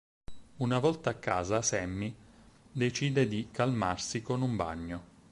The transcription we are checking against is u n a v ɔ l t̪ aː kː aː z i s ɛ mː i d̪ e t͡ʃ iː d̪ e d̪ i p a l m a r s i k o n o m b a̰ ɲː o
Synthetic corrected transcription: u n a v ɔ l t̪ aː kː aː z a s ɛ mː i d̪ e t͡ʃ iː d̪ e d̪ i k a l m a r s i k o n u m b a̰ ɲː o